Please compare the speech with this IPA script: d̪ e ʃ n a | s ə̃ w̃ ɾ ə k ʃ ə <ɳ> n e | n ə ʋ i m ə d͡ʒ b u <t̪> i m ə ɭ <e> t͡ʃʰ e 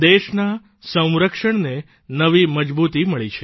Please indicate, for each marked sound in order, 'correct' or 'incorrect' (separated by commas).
correct, correct, incorrect